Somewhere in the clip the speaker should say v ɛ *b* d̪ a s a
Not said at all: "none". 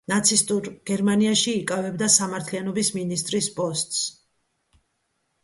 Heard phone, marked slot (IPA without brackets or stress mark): b